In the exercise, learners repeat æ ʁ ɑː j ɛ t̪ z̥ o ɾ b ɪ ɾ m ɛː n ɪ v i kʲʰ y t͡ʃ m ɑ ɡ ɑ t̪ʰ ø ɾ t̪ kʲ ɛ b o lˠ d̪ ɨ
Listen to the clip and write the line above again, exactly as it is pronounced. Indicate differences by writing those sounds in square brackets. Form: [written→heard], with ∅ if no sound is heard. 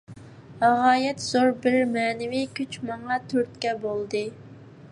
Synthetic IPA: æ ʁ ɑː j ɛ t̪ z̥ o ɾ b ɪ ɾ m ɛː n ɪ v i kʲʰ y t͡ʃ m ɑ [ɡ→ŋ] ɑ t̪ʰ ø ɾ t̪ kʲ ɛ b o lˠ d̪ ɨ